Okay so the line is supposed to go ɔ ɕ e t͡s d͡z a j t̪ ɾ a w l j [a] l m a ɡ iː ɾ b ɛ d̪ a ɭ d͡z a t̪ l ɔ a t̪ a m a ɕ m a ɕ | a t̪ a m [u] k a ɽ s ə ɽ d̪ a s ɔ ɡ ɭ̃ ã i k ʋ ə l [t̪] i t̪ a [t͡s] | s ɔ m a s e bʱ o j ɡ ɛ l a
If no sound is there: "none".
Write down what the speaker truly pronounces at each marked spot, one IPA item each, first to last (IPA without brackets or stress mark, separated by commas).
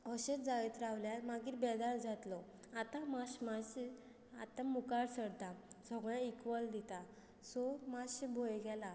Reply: a, u, d̪, none